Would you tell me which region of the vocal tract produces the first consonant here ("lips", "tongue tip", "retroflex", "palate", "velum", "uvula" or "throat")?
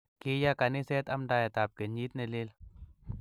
velum